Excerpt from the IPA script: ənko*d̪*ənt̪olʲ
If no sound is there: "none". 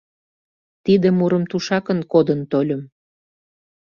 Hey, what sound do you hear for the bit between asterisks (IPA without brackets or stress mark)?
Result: d̪